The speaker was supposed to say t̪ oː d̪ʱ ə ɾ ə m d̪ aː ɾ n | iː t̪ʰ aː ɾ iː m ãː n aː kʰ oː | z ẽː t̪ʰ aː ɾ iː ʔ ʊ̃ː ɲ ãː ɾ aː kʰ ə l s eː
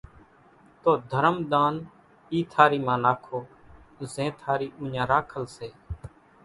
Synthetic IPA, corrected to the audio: t̪ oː d̪ʱ ə ɾ ə m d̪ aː n | iː t̪ʰ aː ɾ iː m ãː n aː kʰ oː | z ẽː t̪ʰ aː ɾ iː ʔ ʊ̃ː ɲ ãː ɾ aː kʰ ə l s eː